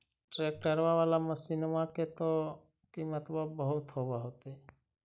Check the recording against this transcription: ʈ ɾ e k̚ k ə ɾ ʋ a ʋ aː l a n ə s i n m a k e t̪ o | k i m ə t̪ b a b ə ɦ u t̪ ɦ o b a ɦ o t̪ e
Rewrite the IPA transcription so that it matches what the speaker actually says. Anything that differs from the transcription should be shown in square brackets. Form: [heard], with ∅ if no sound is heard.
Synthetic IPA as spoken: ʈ ɾ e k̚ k ə ɾ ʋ a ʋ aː l a [m] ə s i n m a k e t̪ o | k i m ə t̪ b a b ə ɦ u t̪ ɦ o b a ɦ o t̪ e